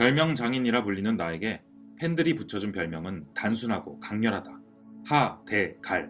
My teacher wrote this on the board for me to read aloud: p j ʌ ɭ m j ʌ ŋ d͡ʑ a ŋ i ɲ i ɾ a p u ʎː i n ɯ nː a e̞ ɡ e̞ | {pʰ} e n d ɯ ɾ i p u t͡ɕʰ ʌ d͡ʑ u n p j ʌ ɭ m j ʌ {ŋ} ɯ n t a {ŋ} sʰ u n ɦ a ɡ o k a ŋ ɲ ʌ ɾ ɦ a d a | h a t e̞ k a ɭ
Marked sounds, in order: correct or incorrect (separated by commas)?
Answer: correct, correct, incorrect